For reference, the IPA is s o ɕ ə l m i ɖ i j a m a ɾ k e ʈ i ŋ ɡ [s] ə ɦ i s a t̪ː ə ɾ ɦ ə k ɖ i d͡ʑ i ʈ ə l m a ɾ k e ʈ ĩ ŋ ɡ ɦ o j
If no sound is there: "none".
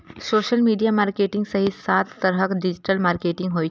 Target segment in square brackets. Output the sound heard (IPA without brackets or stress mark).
s